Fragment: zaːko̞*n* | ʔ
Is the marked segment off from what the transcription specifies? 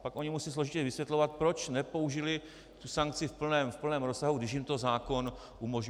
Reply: no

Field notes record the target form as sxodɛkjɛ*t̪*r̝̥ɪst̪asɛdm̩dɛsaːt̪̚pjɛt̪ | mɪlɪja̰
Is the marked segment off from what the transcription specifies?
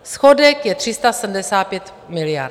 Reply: no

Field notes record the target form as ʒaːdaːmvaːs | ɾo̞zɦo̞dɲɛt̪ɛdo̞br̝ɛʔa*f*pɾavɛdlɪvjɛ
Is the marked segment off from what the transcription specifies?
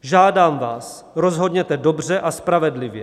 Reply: yes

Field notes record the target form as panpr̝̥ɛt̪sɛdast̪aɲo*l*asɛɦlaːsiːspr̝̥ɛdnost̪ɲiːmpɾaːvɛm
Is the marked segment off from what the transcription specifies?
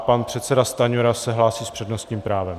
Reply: yes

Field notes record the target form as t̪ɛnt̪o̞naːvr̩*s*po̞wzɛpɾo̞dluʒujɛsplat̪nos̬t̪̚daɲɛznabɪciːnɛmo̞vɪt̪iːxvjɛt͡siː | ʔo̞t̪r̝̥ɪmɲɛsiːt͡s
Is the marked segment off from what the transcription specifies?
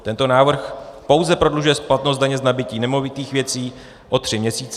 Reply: yes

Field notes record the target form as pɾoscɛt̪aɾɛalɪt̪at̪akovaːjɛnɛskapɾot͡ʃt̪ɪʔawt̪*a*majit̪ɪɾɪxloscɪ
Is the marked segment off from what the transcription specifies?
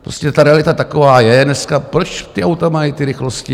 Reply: no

